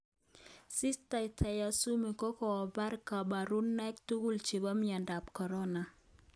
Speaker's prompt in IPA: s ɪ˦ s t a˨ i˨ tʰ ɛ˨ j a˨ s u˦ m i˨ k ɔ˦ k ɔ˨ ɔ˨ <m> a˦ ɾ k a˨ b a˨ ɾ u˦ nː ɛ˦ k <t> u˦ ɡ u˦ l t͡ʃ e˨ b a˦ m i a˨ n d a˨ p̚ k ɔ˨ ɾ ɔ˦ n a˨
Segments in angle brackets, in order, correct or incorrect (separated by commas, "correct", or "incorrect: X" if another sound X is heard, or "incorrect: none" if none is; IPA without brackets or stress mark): incorrect: b, correct